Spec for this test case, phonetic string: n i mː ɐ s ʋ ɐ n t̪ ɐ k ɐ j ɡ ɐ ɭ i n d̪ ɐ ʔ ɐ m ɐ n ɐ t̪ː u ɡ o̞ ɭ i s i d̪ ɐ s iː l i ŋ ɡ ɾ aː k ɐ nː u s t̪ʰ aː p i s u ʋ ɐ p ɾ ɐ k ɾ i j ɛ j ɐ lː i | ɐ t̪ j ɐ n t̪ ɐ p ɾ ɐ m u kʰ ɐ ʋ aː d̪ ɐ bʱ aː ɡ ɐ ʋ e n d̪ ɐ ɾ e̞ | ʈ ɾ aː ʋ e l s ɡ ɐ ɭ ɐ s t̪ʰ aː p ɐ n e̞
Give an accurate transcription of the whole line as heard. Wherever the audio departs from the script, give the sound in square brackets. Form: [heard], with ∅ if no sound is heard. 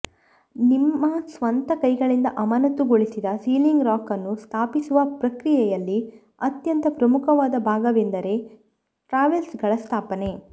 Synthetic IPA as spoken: n i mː ɐ s ʋ ɐ n t̪ ɐ k ɐ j ɡ ɐ ɭ i n d̪ ɐ ʔ ɐ m ɐ n ɐ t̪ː u ɡ o̞ ɭ i s i d̪ ɐ s iː l i ŋ ɡ ɾ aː k ɐ nː u s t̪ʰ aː p i s u ʋ ɐ p ɾ ɐ k ɾ i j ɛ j ɐ lː i | ɐ t̪ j ɐ n t̪ ɐ p ɾ ɐ m u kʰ ɐ ʋ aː d̪ ɐ bʱ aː ɡ ɐ ʋ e n d̪ ɐ ɾ e̞ | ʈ ɾ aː ʋ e l s ɡ ɐ ɭ ɐ s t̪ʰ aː p ɐ n e̞